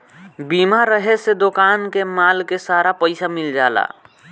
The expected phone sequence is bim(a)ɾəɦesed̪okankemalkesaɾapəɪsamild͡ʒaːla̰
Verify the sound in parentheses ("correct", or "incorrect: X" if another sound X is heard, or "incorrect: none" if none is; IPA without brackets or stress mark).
correct